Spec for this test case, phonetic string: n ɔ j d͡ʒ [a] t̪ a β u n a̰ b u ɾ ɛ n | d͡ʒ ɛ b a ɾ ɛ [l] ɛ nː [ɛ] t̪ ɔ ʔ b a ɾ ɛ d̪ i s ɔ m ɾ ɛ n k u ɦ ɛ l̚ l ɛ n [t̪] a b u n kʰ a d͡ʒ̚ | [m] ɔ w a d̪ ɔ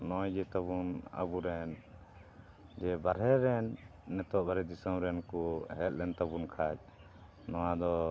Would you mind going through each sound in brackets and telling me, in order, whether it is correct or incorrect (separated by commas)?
incorrect, incorrect, correct, correct, incorrect